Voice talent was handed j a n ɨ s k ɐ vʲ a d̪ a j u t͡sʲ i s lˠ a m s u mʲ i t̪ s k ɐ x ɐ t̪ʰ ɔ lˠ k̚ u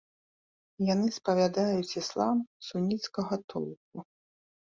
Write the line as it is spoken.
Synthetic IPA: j a n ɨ s p ɐ vʲ a d̪ a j u t͡sʲ i s lˠ a m s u nʲ i t̪ s k ɐ ɣ ɐ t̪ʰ ɔ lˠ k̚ u